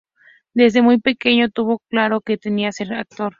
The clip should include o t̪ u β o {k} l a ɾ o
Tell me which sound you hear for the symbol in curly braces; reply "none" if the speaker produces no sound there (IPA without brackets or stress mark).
k